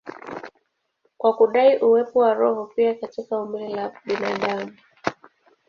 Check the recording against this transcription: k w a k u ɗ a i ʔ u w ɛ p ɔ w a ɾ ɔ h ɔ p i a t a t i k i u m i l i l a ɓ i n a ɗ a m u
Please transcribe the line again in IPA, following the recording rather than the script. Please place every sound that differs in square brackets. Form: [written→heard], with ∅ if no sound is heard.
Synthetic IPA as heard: k w a k u ɗ a i ʔ u w ɛ p ɔ w a ɾ ɔ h ɔ p i a [t→k] a t i k [i→a] u m i l i l a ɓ i n a ɗ a m u